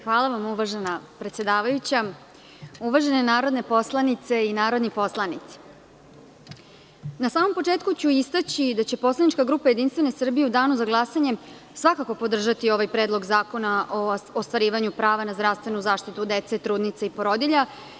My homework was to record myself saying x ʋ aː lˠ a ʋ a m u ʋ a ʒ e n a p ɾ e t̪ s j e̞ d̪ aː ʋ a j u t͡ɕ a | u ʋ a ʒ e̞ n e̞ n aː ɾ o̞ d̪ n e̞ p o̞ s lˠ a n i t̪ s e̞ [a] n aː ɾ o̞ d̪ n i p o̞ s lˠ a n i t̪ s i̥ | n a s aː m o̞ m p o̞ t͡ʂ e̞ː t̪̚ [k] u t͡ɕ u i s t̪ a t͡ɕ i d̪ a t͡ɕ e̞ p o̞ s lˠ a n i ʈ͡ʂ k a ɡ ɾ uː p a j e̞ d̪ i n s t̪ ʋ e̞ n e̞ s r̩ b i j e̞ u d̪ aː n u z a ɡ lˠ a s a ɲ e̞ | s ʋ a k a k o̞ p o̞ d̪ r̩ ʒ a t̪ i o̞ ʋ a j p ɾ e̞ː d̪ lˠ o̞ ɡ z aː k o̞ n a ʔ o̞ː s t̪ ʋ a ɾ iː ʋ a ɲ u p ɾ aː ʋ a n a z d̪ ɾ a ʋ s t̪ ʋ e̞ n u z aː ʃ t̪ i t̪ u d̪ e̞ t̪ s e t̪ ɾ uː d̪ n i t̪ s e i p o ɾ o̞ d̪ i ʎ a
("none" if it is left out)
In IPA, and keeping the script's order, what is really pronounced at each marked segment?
i, k

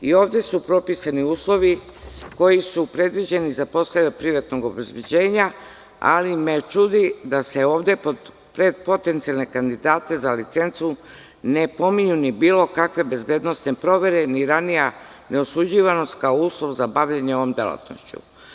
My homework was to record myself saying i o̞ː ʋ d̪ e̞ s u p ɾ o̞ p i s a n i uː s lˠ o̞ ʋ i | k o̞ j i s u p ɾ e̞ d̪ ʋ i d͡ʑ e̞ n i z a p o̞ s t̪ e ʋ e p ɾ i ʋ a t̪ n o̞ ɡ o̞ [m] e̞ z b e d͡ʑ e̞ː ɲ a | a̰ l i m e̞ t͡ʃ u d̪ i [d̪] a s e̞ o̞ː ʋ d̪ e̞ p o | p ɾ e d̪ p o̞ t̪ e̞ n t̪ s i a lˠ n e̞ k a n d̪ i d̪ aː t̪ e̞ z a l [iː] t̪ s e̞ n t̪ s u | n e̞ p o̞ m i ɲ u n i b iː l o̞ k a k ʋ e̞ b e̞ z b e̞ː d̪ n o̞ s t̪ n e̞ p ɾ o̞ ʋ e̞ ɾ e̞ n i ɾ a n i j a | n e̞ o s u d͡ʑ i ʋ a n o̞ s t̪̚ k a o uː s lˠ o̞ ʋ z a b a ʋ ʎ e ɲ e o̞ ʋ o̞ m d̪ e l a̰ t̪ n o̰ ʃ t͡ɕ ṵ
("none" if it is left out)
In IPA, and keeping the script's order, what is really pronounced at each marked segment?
b, d̪, i

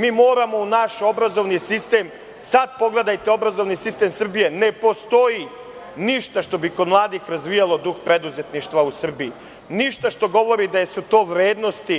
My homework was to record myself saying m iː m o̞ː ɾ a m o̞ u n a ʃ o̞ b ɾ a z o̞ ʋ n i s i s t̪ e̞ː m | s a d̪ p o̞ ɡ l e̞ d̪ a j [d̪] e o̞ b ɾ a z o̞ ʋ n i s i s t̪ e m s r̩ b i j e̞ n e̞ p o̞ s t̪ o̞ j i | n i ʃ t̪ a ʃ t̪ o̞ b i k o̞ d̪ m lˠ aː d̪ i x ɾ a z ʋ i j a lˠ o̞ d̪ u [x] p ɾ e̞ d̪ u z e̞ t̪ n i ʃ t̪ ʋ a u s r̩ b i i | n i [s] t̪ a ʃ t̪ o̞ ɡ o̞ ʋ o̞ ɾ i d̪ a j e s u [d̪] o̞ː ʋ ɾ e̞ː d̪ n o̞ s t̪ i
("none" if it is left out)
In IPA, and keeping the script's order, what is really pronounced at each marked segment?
t̪, x, ʃ, t̪

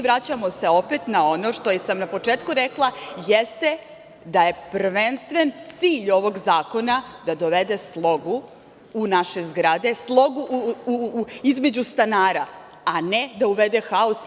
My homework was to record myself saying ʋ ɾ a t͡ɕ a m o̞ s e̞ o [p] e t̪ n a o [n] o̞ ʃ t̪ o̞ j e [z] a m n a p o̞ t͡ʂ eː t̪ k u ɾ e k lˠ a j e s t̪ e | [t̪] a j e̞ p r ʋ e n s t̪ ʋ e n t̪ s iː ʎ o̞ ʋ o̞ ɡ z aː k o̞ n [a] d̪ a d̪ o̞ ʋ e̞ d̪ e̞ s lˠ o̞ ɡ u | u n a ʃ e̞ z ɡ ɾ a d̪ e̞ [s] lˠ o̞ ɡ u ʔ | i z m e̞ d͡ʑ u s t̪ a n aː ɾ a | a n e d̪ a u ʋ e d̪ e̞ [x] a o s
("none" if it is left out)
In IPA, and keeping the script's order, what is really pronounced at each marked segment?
p, n, s, d̪, a, s, x

